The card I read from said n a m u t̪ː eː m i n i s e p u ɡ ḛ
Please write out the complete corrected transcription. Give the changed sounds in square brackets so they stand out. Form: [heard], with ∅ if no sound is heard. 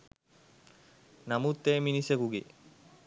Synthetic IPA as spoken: n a m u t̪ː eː m i n i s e [k] u ɡ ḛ